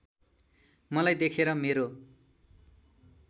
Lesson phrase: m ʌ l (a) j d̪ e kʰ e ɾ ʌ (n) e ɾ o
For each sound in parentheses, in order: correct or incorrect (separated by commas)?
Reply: correct, incorrect